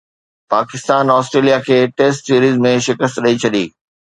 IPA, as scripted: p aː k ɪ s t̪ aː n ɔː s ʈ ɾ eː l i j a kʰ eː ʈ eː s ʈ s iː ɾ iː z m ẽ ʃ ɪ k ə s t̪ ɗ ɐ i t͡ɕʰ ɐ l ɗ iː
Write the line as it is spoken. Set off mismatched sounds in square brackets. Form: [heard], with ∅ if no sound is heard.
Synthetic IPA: p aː k ɪ s t̪ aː n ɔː s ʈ ɾ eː l i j a kʰ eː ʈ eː s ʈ s iː ɾ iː z m ẽ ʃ ɪ k ə s t̪ ɗ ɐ i t͡ɕʰ ɐ [∅] ɗ iː